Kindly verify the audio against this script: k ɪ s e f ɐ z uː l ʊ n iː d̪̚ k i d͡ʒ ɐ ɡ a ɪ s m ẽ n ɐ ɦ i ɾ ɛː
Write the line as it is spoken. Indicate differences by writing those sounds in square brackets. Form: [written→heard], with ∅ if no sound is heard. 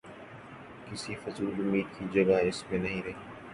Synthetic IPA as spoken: k ɪ s [e→i] f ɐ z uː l ʊ [n→m] iː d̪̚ k i d͡ʒ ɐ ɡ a ɪ s m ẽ n ɐ ɦ [i→ĩ] ɾ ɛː